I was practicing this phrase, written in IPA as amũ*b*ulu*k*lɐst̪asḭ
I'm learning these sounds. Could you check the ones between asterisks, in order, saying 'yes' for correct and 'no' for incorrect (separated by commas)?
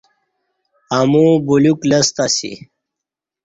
yes, yes